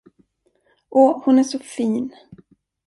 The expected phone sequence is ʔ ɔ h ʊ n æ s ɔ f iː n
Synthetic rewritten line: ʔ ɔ h ʊ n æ ʂ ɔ f iː n

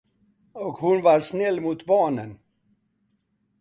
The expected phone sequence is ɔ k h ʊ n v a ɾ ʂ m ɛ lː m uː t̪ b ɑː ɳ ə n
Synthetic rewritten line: ɔ k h ʊ n v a ɾ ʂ n ɛ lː m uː t̪ b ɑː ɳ ə n

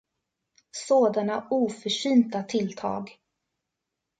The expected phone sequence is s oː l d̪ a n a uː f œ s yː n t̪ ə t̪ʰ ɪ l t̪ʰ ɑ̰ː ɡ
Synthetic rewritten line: s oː d̪ a n a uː f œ ʂ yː n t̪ a t̪ʰ ɪ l t̪ʰ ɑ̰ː ɡ

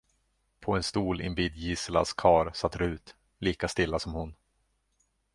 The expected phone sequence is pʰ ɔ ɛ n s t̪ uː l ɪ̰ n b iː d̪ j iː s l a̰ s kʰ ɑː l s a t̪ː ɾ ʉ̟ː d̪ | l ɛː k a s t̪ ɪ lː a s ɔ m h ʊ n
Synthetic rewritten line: pʰ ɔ ɛ n s t̪ uː l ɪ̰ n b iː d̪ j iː s l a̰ s kʰ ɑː ɾ s a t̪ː ɾ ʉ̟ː t̪ | l iː k a s t̪ ɪ lː a s ɔ m h ʊ n

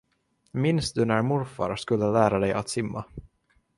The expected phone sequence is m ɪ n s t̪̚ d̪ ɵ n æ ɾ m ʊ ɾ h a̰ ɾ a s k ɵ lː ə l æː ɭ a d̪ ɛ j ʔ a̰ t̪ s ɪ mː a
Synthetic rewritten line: m ɪ n s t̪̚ d̪ ɵ n æ ɾ m ʊ ɾ f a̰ ɾ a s k ɵ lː ə l æː ɾ a d̪ ɛ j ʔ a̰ t̪ s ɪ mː a

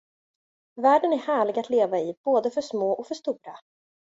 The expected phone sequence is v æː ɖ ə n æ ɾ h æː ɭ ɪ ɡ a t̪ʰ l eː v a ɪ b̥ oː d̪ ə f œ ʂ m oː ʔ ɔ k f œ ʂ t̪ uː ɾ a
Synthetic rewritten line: v æː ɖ ə n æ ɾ h æː ɭ ɪ ɡ a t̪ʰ l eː v a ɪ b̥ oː d̪ ə f œ ʂ m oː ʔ ɔ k f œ ʂ t̪ uː ɾ a

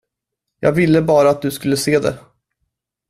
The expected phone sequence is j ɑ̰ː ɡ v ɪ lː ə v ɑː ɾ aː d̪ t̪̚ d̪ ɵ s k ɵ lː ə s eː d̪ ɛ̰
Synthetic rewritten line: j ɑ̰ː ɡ v ɪ lː ə b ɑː ɾ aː t̪̚ d̪ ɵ s k ɵ lː ə s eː d̪ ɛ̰

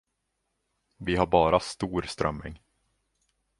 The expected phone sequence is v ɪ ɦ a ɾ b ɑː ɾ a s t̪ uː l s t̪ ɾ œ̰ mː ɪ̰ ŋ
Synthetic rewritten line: v ɪ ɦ a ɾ b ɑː ɾ a s t̪ uː ɾ s t̪ ɾ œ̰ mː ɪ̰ ŋ

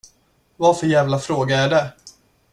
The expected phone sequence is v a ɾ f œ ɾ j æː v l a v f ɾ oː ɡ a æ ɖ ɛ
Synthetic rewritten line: v a ɾ f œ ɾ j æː v l a f ɾ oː ɡ a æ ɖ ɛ

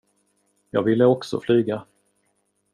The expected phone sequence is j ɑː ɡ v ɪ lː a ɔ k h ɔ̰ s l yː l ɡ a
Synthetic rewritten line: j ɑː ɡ v ɪ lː ə ɔ k s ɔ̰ f l yː ɡ a

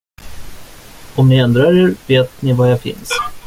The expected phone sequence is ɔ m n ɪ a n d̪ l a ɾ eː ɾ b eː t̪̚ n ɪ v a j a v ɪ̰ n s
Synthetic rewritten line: ɔ m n ɪ ɛ n d̪ ɾ a ɾ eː ɾ v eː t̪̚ n ɪ v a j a f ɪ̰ n s

